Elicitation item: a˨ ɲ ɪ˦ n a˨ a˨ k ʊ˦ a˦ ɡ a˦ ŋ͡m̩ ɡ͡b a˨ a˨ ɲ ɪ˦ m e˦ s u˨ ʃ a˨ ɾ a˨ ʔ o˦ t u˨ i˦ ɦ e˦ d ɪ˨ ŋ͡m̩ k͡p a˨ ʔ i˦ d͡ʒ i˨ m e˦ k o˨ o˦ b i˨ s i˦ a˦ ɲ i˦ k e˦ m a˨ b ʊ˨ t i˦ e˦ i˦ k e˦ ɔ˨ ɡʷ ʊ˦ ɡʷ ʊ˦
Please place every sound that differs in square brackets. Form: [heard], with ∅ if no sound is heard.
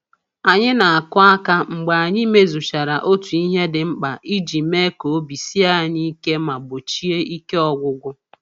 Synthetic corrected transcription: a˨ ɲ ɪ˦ n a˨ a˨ k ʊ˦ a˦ [k] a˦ ŋ͡m̩ ɡ͡b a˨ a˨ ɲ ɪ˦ m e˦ [z] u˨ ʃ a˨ ɾ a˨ ʔ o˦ t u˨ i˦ ɦ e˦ d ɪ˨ ŋ͡m̩ k͡p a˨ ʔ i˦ d͡ʒ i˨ m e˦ k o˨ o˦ b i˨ s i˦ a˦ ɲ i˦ k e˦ m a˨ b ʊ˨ [t͡ʃ] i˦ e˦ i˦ k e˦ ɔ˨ ɡʷ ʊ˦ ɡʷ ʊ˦